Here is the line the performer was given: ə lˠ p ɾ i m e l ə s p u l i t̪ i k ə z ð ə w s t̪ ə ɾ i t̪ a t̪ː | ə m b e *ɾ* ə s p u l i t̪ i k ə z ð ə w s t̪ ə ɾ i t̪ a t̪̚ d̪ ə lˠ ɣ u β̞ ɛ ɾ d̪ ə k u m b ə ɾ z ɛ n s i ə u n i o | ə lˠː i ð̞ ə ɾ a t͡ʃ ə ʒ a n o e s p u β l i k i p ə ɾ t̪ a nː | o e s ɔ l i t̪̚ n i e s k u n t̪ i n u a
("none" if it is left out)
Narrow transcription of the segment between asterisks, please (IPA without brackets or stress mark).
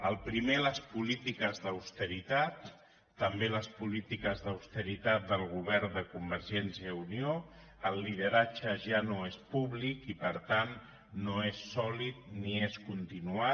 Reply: l